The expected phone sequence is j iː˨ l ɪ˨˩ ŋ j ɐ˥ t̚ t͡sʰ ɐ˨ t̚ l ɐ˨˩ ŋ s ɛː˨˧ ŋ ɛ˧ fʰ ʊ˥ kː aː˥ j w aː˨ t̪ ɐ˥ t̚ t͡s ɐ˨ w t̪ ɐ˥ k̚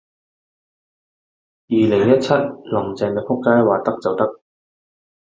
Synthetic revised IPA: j iː˨ l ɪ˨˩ ŋ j ɐ˥ t̚ t͡sʰ ɐ˥ t̚ l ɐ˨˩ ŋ t͡s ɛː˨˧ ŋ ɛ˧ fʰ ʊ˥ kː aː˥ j w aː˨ t̪ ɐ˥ k̚ t͡s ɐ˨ w t̪ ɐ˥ k̚